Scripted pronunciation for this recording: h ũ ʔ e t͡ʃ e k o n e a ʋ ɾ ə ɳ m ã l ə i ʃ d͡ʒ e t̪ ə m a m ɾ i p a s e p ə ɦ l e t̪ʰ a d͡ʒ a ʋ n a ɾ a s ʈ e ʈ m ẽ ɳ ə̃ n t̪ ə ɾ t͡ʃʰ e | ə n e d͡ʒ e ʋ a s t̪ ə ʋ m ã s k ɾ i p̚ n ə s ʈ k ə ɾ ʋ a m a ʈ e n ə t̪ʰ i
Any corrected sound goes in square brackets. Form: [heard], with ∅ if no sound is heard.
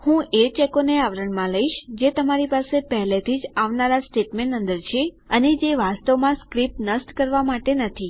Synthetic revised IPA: h ũ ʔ e t͡ʃ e k o n e a ʋ ɾ ə ɳ m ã l ə i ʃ d͡ʒ e t̪ ə m a [∅] ɾ i p a s e p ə ɦ l e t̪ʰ [i] d͡ʒ a ʋ n a ɾ a s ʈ e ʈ m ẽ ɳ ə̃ n [d̪] ə ɾ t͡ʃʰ e | ə n e d͡ʒ e ʋ a s t̪ ə ʋ m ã s k ɾ i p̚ n ə s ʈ k ə ɾ ʋ a m a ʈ e n ə t̪ʰ i